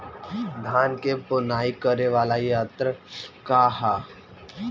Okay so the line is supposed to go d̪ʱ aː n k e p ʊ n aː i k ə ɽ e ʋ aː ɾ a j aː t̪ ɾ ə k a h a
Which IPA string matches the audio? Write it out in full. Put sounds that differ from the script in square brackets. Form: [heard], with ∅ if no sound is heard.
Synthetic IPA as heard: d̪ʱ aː n k e p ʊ n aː i k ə [ɾ] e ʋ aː [l] a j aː t̪ ɾ ə k a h a